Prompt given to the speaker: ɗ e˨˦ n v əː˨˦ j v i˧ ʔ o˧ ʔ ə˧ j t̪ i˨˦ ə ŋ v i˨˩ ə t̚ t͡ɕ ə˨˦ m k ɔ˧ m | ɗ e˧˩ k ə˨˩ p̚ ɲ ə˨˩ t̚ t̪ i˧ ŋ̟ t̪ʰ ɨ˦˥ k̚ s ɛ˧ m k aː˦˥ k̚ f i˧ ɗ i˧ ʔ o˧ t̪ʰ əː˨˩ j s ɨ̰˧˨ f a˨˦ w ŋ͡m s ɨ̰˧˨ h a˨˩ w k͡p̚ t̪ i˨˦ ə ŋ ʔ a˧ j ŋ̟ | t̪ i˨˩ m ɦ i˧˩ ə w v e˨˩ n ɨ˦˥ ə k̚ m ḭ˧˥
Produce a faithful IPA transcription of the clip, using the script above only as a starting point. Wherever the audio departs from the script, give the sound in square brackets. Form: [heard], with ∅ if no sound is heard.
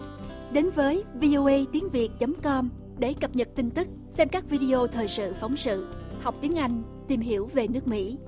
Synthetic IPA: ɗ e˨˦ n v əː˨˦ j v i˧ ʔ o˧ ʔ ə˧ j t̪ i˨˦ ə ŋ v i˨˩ ə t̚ t͡ɕ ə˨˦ m k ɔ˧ m | ɗ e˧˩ k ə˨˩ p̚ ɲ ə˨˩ t̚ t̪ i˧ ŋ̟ [t̪] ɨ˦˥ k̚ s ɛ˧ m k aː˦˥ k̚ [v] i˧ ɗ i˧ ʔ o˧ t̪ʰ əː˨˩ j s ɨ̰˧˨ f a˨˦ w ŋ͡m s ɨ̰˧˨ h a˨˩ w k͡p̚ t̪ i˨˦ ə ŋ ʔ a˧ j ŋ̟ | t̪ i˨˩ m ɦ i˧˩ ə w v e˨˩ n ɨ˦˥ ə k̚ m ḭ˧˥